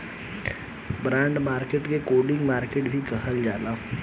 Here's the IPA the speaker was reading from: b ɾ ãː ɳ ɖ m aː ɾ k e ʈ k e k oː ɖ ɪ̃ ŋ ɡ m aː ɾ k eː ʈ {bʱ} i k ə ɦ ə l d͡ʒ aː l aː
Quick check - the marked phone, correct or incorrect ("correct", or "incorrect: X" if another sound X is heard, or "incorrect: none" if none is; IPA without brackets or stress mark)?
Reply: correct